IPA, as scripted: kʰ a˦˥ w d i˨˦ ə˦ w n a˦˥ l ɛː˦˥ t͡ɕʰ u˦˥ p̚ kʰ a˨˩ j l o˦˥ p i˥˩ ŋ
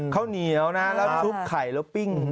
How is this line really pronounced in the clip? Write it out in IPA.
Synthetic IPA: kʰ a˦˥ w n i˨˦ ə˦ w n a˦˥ l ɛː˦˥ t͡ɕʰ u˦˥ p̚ kʰ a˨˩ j l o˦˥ p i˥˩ ŋ